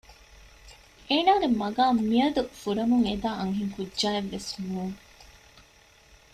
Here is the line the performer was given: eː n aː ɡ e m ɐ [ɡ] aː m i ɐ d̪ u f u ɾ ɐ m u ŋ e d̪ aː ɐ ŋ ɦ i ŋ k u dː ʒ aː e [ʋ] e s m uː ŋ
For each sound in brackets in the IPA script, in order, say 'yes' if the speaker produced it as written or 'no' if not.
yes, no

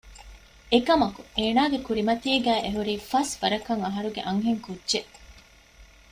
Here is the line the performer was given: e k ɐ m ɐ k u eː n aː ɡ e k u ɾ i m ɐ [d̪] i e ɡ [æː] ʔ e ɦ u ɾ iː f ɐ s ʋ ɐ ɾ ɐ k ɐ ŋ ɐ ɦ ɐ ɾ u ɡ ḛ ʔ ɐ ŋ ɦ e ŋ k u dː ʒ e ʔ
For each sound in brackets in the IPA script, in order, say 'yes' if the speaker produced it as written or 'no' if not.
no, yes

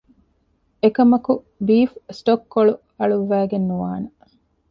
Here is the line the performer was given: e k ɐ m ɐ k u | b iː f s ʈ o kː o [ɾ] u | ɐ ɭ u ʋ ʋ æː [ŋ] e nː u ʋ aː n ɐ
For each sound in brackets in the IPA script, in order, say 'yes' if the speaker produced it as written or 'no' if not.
no, no

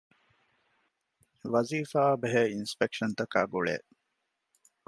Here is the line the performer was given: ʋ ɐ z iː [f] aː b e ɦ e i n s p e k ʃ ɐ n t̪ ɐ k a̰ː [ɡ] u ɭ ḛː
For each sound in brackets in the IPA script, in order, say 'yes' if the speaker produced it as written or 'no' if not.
yes, yes

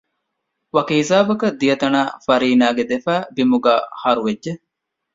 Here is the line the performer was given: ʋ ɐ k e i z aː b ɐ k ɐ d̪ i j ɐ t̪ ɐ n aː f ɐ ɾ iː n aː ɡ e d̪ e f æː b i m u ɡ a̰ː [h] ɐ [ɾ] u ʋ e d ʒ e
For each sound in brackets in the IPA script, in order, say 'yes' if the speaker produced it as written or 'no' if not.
yes, yes

